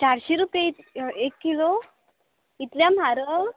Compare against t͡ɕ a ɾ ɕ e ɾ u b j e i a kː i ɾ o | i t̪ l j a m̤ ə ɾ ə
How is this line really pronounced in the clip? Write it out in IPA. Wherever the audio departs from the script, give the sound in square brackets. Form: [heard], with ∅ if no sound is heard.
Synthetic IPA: t͡ɕ a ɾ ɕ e ɾ u [p] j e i [e] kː i [l] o | i t̪ l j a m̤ [a] ɾ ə